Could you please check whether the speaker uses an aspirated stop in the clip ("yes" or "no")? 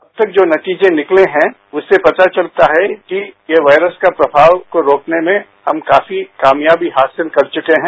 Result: no